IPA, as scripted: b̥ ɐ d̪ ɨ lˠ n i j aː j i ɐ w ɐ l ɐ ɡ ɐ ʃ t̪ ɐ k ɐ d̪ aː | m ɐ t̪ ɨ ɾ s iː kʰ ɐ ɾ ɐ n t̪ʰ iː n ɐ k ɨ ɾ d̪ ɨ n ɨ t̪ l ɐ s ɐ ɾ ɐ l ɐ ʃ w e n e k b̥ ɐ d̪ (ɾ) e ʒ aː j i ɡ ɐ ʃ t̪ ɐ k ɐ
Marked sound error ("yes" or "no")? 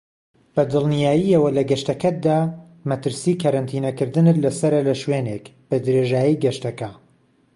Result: no